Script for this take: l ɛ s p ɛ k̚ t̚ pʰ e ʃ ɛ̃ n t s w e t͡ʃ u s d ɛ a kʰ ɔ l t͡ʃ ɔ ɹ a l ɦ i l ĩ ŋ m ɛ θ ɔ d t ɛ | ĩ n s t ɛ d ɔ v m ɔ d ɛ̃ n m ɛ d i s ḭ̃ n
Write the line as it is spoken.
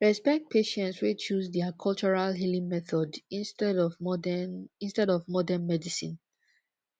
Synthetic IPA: ɹ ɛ s p ɛ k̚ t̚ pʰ e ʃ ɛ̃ n t s w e t͡ʃ u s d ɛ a kʰ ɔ l t͡ʃ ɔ ɹ a l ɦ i l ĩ ŋ m ɛ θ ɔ d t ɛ | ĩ n s t ɛ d ɔ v m ɔ d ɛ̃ n m ɛ d i s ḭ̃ n